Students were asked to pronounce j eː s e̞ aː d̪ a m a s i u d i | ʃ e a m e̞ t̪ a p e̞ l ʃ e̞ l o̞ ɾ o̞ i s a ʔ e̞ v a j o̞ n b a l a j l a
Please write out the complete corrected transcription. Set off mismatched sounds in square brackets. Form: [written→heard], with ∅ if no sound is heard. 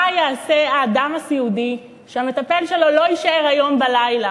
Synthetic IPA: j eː s e̞ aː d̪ a m a s i u d i | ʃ e a m e̞ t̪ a p e̞ l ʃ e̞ l o̞ [ɾ→l] o̞ i [s→ʃ] a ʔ e̞ [v→ʁ] a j o̞ [n→m] b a l a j l a

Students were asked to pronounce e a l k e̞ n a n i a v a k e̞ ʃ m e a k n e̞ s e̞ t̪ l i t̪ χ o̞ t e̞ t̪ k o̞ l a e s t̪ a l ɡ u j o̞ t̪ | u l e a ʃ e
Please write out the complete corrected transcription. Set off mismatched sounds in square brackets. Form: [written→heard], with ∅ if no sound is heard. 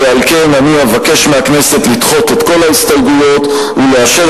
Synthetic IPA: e a l k e̞ n a n i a v a k e̞ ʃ m e a k n e̞ s e̞ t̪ l i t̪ χ o̞ t e̞ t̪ k o̞ l a [e→i] s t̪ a l ɡ u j o̞ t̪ | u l e a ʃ e

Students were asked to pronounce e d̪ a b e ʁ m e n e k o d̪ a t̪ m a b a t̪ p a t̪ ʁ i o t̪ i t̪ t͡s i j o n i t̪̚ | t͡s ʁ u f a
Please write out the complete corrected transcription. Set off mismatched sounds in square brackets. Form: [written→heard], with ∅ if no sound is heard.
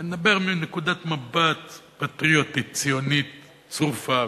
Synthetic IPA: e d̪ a b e ʁ m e n e k [o→u] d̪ a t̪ m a b a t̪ p a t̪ ʁ i o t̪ i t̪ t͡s i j o n i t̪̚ | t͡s ʁ u f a

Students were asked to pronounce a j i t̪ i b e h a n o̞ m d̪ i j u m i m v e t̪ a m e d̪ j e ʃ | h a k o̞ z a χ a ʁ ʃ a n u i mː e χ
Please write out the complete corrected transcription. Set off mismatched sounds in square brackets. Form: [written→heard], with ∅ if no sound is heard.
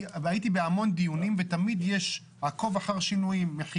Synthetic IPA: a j i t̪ i b e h a [n→m] o̞ [m→n] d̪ i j u [m→n] i m v e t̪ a m [e→i] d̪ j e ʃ | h a k o̞ [z→v] a χ a ʁ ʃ [a→i] n u i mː e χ

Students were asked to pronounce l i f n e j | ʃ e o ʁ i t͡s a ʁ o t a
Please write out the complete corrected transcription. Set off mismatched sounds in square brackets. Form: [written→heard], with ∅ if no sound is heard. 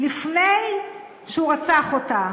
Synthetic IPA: l i f n e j | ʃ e [o→u] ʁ [i→a] t͡s a [ʁ→χ] o t a

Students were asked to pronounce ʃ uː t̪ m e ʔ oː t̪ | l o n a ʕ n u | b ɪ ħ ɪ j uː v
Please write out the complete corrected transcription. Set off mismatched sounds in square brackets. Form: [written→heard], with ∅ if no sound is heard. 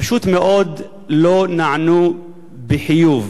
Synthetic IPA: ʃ uː t̪ m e ʔ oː [t̪→d̪] | l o n a ʕ n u | b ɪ ħ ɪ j uː v

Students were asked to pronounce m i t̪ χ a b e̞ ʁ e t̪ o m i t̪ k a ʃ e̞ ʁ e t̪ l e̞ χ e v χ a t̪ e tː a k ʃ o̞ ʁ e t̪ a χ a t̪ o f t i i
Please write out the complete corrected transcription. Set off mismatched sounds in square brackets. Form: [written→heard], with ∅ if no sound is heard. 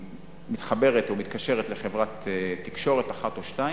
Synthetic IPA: m i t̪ χ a b e̞ ʁ e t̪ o m i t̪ k a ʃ e̞ ʁ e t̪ l e̞ χ e v [χ→ʁ] a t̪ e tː [a→i] k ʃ o̞ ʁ e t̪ a χ a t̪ o [f→ʃ] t [i→a] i

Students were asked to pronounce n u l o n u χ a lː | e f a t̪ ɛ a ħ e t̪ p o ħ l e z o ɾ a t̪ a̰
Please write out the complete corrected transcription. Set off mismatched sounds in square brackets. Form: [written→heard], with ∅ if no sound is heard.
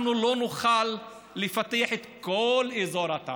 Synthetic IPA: n u l o n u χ a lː | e f a t̪ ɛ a ħ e t̪ [p→k] o [ħ→∅] l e z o ɾ a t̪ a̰

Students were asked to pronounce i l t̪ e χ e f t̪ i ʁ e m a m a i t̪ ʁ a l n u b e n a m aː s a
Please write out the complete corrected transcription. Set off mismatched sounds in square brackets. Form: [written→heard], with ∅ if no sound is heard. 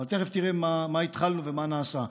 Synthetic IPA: [i→a] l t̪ e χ e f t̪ i ʁ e m a m a i t̪ [ʁ→χ] a l n u [b→v] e [n→m] a [m→n] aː s a

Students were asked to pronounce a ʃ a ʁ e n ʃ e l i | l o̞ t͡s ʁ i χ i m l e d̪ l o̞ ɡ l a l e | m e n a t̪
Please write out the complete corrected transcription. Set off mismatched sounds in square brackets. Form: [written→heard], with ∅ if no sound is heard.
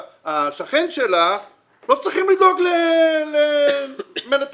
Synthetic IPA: a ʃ a [ʁ→χ] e n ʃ e l [i→a] | l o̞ t͡s ʁ i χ i m l [e→i] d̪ l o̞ ɡ l [a→e] l e | m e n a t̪

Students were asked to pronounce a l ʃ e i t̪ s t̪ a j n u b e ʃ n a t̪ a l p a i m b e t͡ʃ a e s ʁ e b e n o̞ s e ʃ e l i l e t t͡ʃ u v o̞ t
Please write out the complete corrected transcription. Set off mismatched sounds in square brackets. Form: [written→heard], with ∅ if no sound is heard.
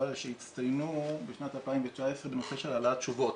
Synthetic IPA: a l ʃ e i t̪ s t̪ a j n u b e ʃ n a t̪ a l p a i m [b→v] e t͡ʃ a e s ʁ e b e n o̞ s e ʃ e l [i→a] l [e→a] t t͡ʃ u v o̞ t

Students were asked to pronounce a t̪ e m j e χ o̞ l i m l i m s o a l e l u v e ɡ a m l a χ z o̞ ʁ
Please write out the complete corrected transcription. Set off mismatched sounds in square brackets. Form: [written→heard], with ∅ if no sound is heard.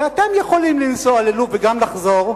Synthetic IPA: a t̪ e m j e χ o̞ l i m l i [m→n] s o a l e l u v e ɡ a m l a χ z o̞ ʁ

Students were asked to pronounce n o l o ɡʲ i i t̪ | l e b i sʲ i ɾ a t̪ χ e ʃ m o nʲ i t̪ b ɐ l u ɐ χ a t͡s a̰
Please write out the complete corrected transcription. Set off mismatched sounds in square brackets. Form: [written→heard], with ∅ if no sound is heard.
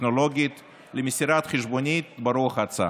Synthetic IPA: n o l o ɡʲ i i t̪ | l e [b→m] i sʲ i ɾ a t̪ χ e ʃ [m→b] o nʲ i t̪ b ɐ [l→ɾ] u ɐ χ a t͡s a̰

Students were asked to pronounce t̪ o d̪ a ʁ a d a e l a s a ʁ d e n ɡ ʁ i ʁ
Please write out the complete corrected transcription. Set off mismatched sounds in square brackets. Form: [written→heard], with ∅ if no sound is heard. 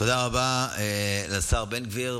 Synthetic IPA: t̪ o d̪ a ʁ a [d→b] a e l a s a ʁ [d→b] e n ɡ [ʁ→v] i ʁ

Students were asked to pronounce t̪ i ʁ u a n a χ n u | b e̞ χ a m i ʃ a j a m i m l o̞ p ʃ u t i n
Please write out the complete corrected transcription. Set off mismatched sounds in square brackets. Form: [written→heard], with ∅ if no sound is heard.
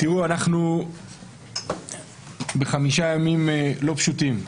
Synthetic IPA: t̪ i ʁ u a n a χ n u | b e̞ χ a m i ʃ a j a m i m l o̞ p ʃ u t i [n→m]

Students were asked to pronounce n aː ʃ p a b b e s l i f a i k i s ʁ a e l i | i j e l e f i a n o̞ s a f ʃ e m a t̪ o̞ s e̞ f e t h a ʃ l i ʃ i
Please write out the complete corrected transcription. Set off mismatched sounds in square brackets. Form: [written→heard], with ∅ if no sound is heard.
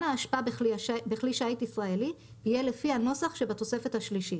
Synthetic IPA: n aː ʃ p a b b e [s→χ] l i [f→ʃ] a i [k→t] i s ʁ a e l i | i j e l e f i a n o̞ s a [f→χ] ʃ e [m→b] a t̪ o̞ s e̞ f e t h a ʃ l i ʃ i

